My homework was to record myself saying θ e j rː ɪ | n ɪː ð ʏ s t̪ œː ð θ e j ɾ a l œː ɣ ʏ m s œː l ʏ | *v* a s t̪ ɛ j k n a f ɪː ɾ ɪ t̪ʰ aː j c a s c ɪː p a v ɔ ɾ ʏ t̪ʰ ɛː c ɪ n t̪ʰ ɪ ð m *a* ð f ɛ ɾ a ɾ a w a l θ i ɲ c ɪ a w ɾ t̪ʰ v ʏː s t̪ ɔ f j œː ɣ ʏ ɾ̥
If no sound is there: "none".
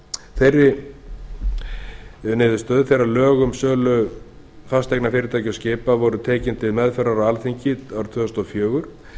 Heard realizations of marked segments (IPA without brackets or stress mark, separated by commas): f, ɛ